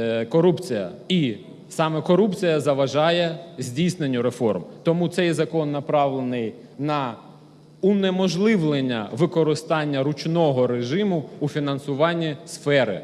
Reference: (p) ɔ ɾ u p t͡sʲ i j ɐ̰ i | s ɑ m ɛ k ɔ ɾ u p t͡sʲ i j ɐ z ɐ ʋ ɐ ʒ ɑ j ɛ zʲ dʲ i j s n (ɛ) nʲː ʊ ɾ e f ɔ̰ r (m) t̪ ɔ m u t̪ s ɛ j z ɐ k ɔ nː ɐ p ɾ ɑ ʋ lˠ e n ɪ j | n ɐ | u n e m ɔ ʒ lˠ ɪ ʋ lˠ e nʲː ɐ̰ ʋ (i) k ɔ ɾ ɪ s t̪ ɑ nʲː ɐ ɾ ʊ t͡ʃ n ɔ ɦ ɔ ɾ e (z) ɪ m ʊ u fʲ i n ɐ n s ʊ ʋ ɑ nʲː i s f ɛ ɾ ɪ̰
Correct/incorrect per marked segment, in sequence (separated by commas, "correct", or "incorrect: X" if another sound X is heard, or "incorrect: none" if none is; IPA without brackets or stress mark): incorrect: k, incorrect: e, correct, incorrect: ɪ, incorrect: ʒ